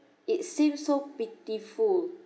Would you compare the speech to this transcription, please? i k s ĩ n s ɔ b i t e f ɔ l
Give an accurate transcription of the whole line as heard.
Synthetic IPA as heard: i t s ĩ m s o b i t i f u l